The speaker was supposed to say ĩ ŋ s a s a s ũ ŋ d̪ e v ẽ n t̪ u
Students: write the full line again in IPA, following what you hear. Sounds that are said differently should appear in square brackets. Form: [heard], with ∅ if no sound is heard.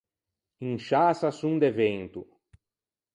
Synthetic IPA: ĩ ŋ [ʃ] a s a s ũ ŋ d̪ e v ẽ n t̪ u